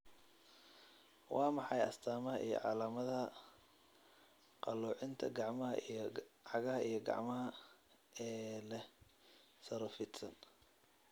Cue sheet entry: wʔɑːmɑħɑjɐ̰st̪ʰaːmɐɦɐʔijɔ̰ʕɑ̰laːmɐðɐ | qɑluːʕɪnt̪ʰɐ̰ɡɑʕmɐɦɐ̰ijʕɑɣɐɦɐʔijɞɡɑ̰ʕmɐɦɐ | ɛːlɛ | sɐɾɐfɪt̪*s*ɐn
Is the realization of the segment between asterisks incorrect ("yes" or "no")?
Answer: no